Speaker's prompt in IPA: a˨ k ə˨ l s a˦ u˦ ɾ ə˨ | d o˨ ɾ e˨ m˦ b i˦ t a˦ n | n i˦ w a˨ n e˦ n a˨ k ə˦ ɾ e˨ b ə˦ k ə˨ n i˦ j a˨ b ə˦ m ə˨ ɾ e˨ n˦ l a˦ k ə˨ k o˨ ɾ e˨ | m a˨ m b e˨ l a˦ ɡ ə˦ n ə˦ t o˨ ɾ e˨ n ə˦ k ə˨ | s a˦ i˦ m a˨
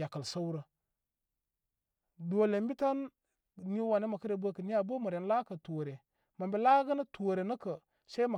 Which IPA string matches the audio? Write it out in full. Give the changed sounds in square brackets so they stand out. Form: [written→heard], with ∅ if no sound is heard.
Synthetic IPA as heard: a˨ k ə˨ l s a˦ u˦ ɾ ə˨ | d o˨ [ɾ→l] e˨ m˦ b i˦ t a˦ n | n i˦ w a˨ n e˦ [n→m] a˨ k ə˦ ɾ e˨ b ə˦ k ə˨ n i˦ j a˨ b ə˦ m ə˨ ɾ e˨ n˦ l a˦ k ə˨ [k→t] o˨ ɾ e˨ | m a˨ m b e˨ l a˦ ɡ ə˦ n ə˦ t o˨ ɾ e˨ n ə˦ k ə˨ | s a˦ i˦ m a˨